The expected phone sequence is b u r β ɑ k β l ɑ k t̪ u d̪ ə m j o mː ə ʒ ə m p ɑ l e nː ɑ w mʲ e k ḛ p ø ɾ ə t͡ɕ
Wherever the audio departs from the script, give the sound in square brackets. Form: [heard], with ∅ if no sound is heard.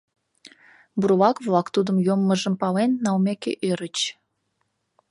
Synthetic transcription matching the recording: b u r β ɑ k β l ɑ k t̪ u d̪ ə m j o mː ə ʒ ə m p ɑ l e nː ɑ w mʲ e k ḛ [ʔ] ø ɾ ə t͡ɕ